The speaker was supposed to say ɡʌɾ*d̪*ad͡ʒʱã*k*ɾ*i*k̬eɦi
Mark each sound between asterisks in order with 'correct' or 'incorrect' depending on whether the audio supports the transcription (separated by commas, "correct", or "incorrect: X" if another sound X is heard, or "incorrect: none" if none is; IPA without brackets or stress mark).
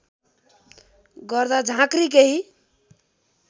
correct, correct, correct